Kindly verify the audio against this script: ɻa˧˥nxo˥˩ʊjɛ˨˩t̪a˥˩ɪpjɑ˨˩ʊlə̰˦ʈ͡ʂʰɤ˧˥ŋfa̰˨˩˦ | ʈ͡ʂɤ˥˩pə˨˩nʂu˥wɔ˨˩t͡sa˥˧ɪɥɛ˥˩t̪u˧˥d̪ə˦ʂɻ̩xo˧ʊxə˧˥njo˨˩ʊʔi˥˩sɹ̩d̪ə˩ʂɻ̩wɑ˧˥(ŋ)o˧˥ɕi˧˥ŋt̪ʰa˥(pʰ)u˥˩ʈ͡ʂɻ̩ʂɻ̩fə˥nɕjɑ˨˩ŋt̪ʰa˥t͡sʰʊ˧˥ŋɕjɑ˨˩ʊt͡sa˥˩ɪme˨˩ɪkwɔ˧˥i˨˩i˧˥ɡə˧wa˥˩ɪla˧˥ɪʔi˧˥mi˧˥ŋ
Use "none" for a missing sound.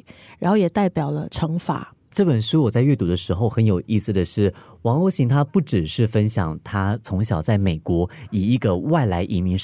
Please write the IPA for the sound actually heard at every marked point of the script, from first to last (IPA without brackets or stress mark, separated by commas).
ŋ, p